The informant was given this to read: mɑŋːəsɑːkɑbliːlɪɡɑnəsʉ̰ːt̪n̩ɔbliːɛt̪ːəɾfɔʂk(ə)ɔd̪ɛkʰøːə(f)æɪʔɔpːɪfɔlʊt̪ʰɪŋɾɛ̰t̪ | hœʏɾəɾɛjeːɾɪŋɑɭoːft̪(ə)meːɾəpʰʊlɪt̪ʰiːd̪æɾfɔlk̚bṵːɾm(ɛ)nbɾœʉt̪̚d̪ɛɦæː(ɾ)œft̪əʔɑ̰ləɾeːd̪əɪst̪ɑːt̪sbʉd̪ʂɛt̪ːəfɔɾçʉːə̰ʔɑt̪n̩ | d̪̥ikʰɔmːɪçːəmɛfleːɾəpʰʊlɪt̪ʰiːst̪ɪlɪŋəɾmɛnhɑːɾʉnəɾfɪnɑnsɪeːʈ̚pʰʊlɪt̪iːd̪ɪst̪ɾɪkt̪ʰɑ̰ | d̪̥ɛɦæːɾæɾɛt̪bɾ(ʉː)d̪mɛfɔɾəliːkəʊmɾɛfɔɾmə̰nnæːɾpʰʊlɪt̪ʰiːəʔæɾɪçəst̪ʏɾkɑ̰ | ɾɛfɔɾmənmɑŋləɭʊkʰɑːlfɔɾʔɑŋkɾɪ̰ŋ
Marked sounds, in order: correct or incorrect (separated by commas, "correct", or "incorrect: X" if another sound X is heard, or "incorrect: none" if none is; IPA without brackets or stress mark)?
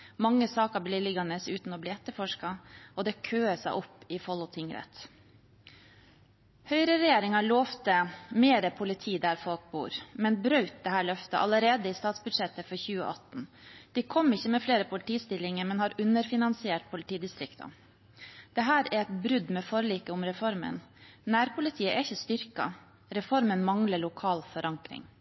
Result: incorrect: ɑ, incorrect: s, correct, correct, incorrect: ɭ, incorrect: ʉ